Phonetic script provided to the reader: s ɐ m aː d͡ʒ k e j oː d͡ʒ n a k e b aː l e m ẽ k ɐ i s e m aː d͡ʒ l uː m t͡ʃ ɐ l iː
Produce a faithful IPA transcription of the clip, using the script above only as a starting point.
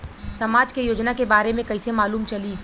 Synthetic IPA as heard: s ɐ m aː d͡ʒ k e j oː d͡ʒ n a k e b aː ɾ e m ẽ k ɐ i s e m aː l uː m t͡ʃ ɐ l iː